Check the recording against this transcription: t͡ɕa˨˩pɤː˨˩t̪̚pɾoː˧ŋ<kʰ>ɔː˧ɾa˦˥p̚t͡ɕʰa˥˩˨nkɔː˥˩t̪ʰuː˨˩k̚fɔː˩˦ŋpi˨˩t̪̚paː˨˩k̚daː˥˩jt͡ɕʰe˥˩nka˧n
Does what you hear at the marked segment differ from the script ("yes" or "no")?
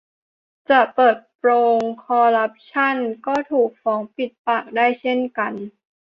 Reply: no